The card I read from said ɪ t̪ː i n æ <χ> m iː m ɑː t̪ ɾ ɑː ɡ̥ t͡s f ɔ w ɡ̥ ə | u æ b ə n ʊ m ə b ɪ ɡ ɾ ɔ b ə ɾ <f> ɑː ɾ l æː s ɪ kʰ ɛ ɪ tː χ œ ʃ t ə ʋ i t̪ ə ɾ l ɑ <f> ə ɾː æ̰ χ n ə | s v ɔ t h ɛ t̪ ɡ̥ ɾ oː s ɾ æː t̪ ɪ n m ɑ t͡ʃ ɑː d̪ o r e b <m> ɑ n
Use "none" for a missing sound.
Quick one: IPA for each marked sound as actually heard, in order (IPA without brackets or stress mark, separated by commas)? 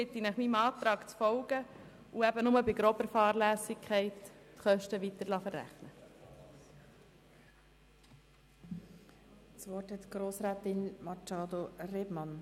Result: χ, f, f, m